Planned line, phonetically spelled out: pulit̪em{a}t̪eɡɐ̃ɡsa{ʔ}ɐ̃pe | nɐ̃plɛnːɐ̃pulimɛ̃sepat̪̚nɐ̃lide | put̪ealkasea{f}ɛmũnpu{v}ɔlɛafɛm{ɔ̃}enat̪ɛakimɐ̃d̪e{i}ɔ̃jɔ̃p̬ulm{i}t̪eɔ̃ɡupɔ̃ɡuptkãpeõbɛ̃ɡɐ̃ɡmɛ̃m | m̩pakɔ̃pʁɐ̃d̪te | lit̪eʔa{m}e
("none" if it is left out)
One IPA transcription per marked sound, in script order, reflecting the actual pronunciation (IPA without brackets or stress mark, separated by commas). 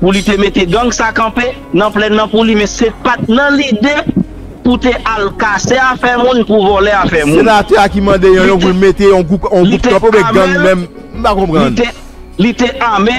e, k, f, v, ũ, j, e, m